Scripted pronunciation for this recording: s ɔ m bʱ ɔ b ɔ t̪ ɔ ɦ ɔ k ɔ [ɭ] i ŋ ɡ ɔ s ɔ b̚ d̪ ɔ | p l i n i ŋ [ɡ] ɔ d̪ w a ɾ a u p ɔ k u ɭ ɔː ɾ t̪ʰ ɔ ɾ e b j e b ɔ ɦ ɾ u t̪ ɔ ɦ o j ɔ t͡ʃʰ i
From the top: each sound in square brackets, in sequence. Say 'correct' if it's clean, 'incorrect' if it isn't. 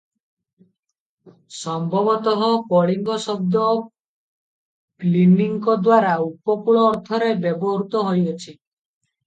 correct, incorrect: k

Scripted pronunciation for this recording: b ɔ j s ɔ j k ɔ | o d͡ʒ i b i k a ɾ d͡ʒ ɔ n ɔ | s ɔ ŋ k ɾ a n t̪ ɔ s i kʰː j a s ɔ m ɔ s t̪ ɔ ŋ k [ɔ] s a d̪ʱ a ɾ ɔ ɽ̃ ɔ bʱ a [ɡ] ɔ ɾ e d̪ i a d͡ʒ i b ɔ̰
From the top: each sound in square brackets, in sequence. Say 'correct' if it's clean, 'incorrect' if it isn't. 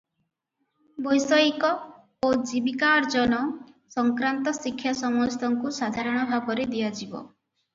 incorrect: u, incorrect: b

